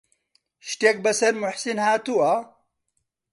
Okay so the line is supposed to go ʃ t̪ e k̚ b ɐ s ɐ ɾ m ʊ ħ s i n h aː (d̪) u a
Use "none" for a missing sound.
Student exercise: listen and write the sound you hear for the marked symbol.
t̪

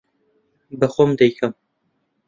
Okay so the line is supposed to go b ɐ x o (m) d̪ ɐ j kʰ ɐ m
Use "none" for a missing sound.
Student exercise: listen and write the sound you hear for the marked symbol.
m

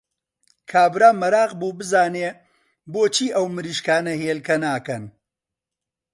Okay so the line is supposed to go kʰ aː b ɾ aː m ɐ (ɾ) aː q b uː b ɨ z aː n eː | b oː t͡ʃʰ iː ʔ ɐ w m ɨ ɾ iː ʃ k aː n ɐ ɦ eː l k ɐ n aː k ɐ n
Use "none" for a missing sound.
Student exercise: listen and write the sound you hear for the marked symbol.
ɾ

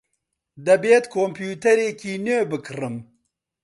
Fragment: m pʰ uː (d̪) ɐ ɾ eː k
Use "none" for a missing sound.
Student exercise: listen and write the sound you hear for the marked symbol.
t̪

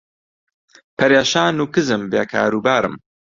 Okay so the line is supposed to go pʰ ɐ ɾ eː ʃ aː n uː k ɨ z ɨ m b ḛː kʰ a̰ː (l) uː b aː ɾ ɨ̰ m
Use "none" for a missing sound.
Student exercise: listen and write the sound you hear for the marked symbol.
ɾ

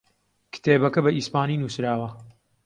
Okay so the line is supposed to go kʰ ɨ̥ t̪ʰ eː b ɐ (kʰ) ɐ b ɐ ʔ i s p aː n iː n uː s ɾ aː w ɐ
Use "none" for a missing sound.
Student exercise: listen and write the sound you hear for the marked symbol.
k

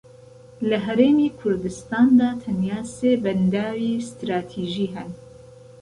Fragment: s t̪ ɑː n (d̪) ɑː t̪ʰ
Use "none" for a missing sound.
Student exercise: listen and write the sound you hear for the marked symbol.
d̪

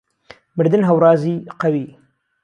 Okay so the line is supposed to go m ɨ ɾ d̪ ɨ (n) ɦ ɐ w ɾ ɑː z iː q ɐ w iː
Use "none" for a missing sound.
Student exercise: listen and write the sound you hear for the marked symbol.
n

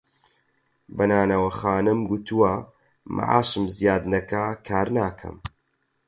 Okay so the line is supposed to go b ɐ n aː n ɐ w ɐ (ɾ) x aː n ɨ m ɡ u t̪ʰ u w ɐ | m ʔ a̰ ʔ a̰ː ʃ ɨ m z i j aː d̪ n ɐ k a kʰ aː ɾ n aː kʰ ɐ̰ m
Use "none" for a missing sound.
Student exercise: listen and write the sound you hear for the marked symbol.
none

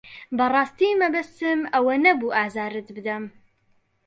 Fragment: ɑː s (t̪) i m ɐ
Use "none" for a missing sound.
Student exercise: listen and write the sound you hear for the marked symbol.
t̪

